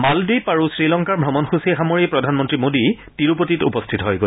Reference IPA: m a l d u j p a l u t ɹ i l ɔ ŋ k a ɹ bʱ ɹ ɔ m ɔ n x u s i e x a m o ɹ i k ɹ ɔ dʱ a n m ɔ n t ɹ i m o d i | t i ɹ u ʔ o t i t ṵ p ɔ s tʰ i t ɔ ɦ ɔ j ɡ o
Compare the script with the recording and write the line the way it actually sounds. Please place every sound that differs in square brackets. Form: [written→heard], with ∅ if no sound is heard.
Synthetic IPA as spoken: m a l d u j p a [l→ɹ] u [t→s] ɹ i l ɔ ŋ k a ɹ bʱ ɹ ɔ m ɔ n x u s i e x a m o ɹ i [k→p] ɹ ɔ dʱ a n m ɔ n t ɹ i m o d i | t i ɹ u [ʔ→p] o t i t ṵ p ɔ s tʰ i t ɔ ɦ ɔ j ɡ o